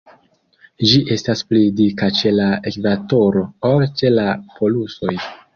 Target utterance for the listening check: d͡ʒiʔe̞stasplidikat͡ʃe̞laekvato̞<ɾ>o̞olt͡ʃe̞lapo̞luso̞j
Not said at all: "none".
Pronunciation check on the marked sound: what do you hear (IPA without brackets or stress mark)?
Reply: ɾ